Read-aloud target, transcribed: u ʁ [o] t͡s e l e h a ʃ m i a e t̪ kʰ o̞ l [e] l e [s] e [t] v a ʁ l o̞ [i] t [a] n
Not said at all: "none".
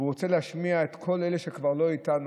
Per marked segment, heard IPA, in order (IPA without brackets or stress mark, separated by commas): o, e, ʃ, k, i, a